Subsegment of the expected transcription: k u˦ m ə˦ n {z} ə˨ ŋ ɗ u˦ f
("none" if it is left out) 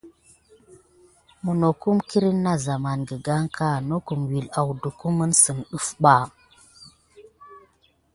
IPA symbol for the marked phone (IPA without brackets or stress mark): s